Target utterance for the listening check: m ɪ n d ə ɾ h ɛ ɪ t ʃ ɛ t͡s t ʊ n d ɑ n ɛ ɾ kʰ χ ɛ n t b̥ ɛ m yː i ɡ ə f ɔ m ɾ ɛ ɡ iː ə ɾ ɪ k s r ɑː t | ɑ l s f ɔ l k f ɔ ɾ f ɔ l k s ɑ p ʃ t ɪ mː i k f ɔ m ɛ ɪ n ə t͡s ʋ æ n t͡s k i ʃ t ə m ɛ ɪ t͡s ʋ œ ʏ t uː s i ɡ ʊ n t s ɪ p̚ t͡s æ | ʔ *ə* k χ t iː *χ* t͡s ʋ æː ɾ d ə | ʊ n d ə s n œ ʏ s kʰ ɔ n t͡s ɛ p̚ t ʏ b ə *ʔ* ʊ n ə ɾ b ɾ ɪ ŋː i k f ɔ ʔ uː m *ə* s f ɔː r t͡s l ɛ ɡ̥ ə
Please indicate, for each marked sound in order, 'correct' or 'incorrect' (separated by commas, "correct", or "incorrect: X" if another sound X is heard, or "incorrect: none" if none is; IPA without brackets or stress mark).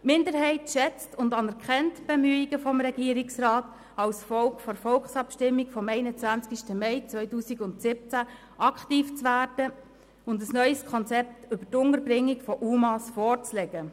incorrect: ɑ, incorrect: f, incorrect: t, incorrect: ɑ